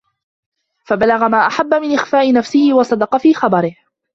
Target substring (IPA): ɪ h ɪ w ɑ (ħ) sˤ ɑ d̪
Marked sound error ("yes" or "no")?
yes